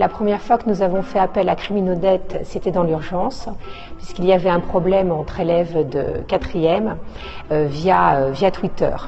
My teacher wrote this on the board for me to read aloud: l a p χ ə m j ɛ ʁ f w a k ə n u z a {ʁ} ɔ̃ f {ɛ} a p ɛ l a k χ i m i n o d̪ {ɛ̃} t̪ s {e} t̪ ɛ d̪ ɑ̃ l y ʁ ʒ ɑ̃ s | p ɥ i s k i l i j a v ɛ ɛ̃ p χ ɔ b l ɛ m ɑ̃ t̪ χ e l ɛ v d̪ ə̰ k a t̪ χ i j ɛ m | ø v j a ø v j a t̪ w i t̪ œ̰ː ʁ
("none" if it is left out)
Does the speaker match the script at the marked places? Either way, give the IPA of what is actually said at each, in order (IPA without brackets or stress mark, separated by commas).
v, ɛ, ɛ, e